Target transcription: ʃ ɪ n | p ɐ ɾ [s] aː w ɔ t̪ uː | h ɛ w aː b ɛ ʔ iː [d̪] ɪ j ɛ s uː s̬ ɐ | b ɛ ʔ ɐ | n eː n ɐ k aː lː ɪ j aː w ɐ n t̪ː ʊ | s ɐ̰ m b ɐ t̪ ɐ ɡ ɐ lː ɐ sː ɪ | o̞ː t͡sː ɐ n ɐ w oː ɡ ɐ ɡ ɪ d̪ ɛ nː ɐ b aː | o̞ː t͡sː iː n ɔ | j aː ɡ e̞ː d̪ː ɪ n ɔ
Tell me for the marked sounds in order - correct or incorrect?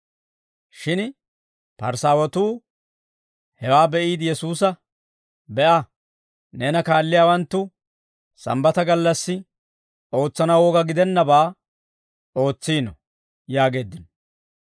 correct, correct

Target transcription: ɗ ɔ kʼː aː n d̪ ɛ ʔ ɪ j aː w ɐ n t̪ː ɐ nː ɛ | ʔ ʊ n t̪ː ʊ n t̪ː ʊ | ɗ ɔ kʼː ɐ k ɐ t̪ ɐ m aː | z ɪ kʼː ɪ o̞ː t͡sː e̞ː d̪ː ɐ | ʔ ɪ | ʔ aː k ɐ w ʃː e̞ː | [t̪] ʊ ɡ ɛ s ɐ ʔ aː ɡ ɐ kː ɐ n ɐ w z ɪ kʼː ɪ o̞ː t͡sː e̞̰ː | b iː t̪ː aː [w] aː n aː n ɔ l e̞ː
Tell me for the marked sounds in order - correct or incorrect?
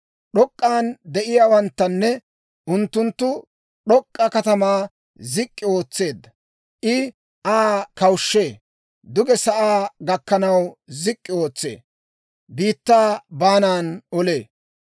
incorrect, incorrect

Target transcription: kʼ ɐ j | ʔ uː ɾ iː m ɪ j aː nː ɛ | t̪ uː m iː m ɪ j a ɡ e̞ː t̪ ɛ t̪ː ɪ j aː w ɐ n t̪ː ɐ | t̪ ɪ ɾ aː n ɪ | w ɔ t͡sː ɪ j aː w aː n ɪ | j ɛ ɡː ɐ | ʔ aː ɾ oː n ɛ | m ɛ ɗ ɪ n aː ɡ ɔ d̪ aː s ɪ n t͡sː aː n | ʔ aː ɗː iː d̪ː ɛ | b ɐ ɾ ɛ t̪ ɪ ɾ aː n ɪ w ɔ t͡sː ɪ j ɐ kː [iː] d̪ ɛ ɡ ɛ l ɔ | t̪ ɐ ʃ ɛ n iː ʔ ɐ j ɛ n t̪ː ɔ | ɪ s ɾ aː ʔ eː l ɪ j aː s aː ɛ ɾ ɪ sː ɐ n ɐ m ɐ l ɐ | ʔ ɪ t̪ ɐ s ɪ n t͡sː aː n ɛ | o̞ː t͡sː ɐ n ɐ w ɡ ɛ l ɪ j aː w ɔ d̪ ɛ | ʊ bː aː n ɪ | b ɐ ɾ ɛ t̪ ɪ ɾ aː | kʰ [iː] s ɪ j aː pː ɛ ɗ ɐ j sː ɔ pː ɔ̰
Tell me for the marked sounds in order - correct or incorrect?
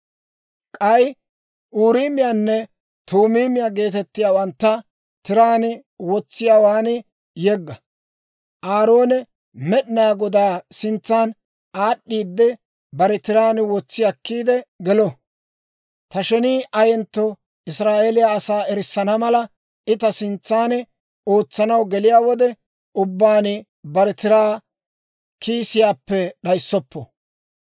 correct, correct

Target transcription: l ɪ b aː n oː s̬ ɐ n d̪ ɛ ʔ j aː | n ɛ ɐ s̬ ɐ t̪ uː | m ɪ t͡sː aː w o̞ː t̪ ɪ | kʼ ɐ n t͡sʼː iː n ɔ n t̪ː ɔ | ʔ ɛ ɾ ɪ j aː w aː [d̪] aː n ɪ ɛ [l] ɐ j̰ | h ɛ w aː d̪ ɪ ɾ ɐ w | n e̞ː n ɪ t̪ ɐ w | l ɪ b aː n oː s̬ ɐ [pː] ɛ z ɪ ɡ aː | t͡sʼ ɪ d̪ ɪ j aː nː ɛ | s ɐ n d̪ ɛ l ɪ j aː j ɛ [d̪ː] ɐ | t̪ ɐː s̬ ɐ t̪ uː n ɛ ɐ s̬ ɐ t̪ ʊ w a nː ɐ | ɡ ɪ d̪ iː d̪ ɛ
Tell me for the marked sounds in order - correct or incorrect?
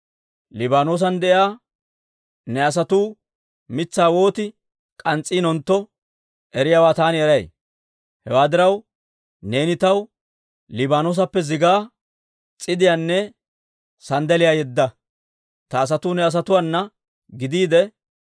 incorrect, incorrect, correct, correct

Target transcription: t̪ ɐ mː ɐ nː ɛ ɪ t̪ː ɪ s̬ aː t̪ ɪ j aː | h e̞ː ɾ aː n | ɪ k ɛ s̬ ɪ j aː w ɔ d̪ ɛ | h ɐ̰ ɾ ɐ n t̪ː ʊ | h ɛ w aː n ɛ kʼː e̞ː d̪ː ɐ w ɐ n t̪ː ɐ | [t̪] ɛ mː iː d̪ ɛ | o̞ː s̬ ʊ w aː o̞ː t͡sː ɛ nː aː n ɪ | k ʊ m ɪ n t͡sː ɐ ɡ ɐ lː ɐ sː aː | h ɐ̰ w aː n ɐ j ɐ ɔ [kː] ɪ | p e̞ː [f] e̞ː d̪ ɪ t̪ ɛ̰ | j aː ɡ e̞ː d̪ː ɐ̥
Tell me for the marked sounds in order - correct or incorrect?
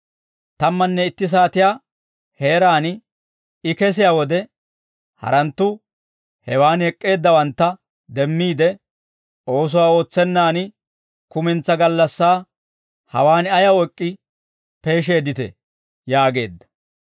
incorrect, incorrect, incorrect

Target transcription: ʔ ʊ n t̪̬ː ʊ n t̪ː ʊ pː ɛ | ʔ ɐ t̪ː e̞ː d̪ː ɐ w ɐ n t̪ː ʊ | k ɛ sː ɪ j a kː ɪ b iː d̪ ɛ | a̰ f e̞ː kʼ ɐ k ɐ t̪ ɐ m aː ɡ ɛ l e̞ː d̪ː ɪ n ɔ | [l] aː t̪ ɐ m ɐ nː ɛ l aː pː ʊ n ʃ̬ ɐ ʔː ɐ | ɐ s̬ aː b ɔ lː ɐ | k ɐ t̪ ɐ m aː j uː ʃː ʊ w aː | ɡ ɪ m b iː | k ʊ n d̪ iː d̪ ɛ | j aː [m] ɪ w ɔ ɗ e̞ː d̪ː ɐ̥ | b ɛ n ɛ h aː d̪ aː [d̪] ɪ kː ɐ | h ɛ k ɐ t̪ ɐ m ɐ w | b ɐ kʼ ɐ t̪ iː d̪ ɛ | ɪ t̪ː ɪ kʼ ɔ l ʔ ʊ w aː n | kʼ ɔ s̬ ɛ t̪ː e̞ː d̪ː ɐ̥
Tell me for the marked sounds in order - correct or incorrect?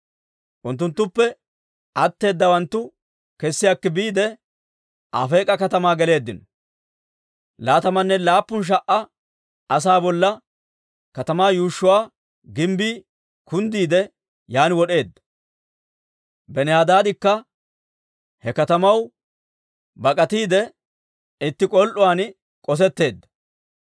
correct, incorrect, correct

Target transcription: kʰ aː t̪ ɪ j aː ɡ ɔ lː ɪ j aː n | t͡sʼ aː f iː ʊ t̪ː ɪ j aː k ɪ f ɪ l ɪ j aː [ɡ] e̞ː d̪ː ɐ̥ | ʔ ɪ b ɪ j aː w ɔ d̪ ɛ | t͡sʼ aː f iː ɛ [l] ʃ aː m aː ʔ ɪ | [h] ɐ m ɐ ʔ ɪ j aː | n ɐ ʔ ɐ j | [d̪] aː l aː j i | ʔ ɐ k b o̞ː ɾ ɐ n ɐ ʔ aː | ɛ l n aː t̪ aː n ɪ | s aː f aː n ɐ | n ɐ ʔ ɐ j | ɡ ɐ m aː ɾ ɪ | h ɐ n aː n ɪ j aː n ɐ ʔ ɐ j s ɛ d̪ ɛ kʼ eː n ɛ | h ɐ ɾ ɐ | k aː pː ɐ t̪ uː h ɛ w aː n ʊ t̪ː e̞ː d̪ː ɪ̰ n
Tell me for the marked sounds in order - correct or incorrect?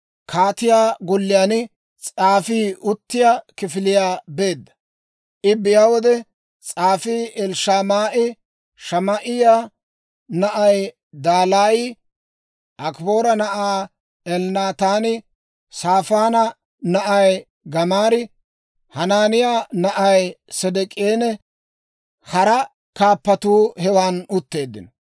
incorrect, correct, incorrect, correct

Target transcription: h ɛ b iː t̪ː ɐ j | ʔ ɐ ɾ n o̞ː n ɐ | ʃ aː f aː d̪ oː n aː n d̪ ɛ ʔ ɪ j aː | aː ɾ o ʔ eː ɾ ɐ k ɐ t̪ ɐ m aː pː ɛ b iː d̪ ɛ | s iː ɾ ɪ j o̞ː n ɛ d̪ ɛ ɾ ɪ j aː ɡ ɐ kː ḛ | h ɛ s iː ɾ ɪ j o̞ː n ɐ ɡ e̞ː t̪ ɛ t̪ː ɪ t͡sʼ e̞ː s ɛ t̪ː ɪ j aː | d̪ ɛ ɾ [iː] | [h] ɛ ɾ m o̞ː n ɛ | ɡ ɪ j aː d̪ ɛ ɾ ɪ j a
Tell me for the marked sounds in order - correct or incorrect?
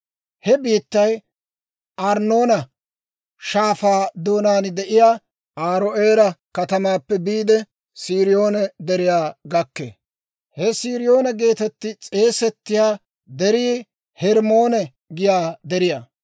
correct, correct

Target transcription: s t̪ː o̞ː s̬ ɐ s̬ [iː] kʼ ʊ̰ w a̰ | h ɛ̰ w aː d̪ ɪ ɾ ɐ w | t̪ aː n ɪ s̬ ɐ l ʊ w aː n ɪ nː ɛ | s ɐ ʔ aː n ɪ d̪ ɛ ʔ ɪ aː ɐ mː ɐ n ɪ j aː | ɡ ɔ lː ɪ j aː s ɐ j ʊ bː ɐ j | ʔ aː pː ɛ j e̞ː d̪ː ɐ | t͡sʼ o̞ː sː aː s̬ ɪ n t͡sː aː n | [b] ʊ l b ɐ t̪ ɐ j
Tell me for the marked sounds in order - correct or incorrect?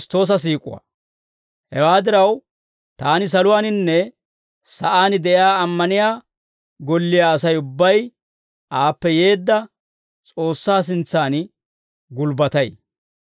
correct, incorrect

